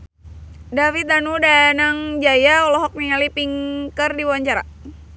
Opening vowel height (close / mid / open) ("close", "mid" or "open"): open